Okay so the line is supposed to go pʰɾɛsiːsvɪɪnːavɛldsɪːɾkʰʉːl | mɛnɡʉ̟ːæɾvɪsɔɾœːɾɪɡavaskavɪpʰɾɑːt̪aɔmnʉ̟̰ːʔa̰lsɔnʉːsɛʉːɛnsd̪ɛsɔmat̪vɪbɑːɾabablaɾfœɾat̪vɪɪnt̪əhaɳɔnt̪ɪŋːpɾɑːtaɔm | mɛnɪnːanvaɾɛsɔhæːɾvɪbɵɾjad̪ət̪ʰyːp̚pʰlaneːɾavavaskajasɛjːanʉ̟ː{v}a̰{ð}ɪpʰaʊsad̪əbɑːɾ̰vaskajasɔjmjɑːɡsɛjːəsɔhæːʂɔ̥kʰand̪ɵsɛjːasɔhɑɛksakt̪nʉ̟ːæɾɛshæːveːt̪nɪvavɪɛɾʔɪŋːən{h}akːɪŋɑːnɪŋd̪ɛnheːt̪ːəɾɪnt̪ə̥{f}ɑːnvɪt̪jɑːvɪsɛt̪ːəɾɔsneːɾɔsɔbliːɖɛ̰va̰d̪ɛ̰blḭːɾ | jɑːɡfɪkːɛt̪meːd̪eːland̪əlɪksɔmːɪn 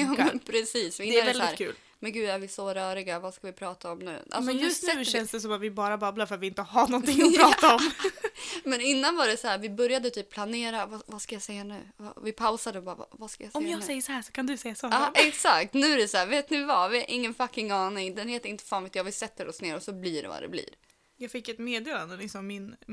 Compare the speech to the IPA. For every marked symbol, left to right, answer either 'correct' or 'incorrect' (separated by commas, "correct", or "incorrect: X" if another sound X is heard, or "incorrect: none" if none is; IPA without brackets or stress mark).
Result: correct, incorrect: v, incorrect: f, correct